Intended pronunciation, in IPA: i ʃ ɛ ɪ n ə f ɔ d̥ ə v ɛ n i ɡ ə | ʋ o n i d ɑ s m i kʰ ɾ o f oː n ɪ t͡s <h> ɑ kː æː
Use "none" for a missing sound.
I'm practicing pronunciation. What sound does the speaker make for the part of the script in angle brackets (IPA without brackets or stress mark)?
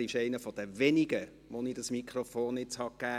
h